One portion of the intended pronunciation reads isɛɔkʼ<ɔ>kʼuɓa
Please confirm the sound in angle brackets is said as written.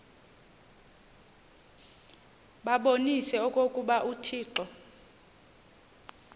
no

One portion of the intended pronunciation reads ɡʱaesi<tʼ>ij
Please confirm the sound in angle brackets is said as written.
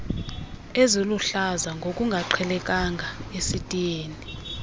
yes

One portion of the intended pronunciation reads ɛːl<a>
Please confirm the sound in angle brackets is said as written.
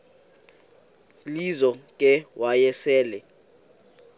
no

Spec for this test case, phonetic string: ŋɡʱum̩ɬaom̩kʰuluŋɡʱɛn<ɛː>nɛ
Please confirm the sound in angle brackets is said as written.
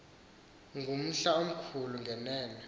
yes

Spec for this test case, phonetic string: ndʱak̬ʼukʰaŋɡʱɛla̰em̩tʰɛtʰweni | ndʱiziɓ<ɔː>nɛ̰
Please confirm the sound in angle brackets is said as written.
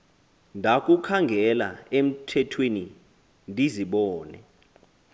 yes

